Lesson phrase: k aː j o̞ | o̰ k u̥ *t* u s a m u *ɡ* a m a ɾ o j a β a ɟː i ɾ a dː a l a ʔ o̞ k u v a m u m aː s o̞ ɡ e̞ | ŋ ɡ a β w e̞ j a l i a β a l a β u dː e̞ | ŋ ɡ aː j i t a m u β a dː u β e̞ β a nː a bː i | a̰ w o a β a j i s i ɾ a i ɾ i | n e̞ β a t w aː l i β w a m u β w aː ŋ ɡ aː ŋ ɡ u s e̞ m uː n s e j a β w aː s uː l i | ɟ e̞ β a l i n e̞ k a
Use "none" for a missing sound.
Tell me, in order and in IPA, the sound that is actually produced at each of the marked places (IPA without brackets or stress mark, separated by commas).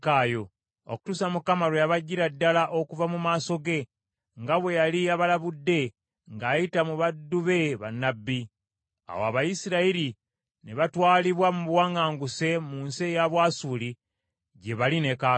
t, k